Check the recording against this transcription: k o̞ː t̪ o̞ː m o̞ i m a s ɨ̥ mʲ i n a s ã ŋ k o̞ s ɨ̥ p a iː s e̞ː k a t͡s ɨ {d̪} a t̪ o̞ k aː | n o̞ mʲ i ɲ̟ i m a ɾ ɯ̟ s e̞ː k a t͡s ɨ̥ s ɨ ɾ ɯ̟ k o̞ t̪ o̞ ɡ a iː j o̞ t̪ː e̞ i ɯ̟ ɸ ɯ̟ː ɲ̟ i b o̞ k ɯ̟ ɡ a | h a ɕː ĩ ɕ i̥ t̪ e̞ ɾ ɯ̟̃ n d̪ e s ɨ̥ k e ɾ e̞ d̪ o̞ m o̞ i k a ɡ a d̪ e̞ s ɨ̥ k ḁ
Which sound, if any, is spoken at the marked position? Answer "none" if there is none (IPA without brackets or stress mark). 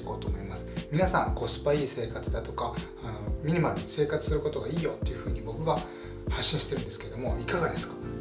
d̪